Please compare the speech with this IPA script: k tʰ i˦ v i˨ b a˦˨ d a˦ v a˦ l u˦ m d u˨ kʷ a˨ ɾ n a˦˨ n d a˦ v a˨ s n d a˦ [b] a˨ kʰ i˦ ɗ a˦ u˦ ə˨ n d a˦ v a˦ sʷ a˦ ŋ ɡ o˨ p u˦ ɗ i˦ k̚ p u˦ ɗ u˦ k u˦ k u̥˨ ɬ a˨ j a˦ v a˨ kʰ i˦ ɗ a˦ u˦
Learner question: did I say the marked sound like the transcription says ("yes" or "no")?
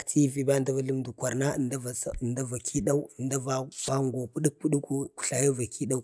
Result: no